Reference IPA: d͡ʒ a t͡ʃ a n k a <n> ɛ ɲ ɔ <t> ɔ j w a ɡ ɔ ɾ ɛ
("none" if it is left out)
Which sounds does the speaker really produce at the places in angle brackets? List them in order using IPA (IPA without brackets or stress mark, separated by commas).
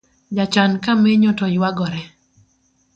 m, t